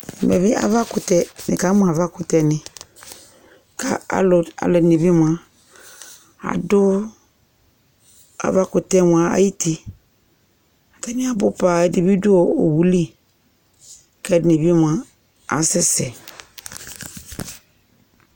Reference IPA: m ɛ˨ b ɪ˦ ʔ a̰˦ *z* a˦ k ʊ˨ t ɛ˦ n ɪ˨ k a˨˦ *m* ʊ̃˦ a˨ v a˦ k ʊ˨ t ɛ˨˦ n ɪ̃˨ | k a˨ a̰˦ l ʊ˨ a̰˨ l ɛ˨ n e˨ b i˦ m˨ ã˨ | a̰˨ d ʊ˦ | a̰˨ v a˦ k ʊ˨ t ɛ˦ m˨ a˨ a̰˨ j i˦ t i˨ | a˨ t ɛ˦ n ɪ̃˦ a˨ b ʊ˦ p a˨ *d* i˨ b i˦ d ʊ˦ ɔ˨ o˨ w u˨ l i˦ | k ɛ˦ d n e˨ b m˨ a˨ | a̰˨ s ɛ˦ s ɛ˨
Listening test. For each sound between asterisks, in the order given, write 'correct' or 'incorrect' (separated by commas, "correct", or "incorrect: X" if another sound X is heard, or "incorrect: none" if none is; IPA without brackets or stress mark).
incorrect: v, correct, correct